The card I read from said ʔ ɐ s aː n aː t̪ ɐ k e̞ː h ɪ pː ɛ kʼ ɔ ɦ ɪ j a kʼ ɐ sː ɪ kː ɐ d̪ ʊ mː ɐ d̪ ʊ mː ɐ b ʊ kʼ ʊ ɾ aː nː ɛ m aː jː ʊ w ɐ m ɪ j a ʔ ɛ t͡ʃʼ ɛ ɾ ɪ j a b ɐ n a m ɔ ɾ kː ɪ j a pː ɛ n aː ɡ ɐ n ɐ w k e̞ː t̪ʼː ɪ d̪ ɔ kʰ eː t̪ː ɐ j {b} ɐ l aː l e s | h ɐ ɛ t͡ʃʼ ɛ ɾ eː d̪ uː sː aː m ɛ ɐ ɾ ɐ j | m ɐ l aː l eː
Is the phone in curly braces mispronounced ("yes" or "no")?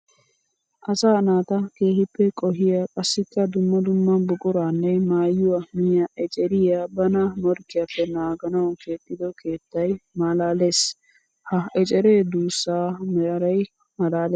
yes